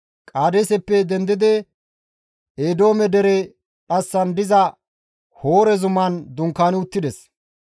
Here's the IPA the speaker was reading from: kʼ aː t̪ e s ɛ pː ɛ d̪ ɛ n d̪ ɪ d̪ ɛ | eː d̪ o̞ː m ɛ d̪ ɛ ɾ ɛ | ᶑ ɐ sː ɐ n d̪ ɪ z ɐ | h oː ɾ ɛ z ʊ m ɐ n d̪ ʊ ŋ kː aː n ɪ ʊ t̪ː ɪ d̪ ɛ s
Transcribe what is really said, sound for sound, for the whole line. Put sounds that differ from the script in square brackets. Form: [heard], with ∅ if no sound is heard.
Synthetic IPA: kʼ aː [d̪] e s ɛ pː ɛ d̪ ɛ n d̪ ɪ d̪ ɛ | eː d̪ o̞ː m ɛ d̪ ɛ ɾ ɛ | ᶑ ɐ sː ɐ n d̪ ɪ z ɐ | h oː ɾ ɛ z ʊ m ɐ n d̪ ʊ ŋ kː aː n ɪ ʊ t̪ː ɪ d̪ ɛ s